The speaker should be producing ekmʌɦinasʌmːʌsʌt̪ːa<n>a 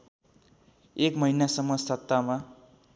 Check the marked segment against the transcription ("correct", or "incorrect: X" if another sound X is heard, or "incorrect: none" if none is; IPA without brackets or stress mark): incorrect: m